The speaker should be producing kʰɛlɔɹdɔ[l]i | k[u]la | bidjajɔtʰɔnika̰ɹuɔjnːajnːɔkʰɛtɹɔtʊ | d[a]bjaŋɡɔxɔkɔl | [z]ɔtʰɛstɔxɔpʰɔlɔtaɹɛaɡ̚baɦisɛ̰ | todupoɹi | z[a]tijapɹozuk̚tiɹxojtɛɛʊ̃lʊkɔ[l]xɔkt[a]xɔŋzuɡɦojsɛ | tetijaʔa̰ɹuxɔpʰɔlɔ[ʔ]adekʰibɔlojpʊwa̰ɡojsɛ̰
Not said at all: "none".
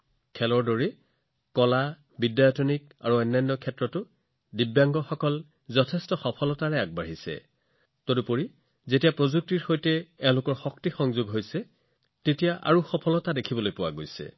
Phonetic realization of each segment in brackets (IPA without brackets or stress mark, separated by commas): ɹ, ɔ, i, z, e, ɹ, i, t